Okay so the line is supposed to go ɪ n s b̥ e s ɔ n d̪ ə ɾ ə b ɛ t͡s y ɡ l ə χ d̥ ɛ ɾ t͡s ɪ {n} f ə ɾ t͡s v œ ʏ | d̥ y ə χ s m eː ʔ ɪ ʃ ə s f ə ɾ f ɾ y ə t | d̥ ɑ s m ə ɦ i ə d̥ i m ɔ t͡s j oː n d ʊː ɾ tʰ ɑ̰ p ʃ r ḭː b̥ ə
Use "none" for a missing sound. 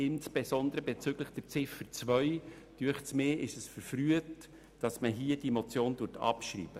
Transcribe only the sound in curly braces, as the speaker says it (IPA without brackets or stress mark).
none